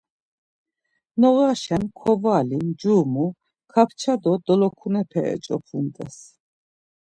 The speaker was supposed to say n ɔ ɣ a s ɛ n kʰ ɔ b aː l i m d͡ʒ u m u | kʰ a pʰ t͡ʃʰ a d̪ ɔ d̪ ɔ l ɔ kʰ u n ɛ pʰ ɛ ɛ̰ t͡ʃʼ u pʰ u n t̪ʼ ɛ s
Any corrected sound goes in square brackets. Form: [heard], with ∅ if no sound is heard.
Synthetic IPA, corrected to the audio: n ɔ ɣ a [ʃ] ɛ n kʰ ɔ [v] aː l i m d͡ʒ u m u | kʰ a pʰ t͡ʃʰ a d̪ ɔ d̪ ɔ l ɔ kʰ u n ɛ pʰ ɛ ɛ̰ t͡ʃʼ [ɔ] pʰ u n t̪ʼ ɛ s